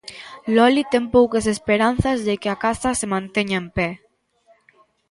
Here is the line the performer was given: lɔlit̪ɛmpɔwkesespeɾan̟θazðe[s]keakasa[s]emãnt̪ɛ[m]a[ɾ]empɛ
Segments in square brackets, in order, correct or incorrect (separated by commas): incorrect, correct, incorrect, incorrect